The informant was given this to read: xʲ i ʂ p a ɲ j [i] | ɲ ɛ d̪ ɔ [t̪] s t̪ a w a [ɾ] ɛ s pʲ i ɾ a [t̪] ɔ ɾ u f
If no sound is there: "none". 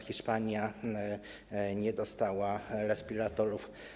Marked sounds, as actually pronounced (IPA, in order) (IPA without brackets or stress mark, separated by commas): a, none, ɾ, t̪